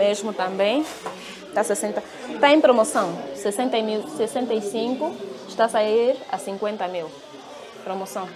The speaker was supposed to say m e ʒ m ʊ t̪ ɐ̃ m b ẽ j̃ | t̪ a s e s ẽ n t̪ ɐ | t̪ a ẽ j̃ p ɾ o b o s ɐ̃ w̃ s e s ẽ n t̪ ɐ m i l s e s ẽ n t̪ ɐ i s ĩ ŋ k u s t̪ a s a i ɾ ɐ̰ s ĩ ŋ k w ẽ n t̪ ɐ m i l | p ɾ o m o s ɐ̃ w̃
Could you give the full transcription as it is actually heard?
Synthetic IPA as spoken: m e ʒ m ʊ t̪ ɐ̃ m b ẽ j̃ | t̪ a s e s ẽ n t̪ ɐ | t̪ a ẽ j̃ p ɾ o m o s ɐ̃ w̃ s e s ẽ n t̪ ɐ m i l s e s ẽ n t̪ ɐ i s ĩ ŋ k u ʃ t̪ a s a i ɾ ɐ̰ s ĩ ŋ k w ẽ n t̪ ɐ m i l | p ɾ o m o s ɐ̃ w̃